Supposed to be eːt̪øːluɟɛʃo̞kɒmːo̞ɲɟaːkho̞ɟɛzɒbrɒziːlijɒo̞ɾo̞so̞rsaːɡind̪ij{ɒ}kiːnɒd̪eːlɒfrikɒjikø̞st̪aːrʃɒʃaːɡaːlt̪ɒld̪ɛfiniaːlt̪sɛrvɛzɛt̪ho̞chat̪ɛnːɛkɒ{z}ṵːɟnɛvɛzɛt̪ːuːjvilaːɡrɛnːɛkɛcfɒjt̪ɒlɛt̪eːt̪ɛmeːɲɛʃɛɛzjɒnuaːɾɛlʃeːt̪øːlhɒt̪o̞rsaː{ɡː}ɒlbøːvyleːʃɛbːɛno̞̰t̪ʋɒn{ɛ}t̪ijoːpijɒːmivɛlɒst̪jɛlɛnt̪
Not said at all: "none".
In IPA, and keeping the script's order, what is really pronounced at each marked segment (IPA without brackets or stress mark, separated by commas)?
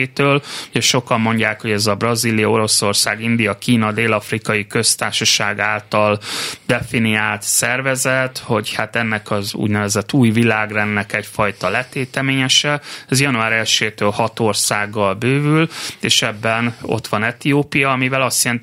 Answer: ɒ, z, ɡː, ɛ